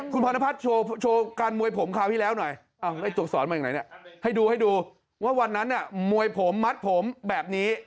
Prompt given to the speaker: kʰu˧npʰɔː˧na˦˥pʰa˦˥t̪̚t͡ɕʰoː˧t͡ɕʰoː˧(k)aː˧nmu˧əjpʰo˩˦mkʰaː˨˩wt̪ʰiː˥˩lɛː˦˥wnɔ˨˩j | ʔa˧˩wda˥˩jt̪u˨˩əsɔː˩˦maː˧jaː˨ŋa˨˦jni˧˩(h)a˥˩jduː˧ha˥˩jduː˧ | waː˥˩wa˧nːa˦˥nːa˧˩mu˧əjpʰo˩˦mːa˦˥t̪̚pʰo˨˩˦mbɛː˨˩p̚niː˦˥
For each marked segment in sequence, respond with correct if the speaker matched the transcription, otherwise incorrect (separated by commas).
correct, correct